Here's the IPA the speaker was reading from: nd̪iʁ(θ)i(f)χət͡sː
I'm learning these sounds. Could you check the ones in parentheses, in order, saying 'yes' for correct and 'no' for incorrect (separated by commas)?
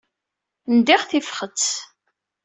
yes, yes